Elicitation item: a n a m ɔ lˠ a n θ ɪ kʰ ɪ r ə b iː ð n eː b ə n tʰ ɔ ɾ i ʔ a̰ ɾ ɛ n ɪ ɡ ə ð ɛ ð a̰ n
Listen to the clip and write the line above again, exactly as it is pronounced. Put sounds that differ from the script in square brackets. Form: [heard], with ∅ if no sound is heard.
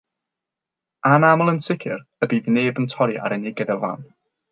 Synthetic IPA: a n a m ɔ lˠ [ə] n [s] ɪ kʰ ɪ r ə b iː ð n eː b ə n tʰ ɔ ɾ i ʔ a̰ ɾ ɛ n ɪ ɡ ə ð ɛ [v] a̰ n